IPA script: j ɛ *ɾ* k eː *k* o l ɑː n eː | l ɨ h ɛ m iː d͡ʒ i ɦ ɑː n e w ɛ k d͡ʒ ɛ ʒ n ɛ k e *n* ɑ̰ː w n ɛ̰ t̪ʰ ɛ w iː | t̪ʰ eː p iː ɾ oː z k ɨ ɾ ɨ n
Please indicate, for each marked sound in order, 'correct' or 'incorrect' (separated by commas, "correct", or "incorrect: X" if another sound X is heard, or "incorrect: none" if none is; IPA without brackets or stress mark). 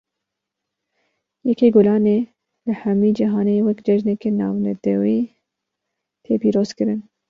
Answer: incorrect: none, incorrect: ɡ, correct